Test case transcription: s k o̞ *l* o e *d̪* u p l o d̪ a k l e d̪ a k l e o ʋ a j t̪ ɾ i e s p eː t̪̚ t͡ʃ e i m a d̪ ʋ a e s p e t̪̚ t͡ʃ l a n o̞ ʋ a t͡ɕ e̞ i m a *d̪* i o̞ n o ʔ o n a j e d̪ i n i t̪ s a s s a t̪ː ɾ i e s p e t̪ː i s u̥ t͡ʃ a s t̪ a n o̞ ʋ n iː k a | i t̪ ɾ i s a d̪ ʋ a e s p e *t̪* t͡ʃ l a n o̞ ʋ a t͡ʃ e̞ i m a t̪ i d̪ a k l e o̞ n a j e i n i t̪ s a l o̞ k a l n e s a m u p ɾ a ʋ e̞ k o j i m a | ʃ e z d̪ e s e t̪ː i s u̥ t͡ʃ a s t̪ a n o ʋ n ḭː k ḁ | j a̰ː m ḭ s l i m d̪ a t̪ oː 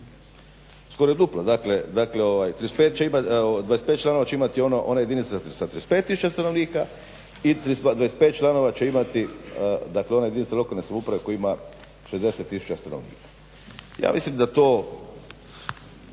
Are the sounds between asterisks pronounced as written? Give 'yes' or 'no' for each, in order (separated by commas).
no, yes, no, yes